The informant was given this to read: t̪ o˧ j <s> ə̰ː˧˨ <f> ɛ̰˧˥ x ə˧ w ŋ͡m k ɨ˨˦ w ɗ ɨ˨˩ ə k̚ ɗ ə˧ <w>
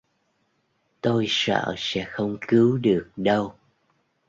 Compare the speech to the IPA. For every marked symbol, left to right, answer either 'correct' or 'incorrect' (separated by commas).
correct, incorrect, correct